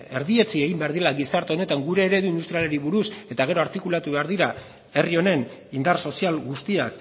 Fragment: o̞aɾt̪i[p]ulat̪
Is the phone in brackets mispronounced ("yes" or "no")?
yes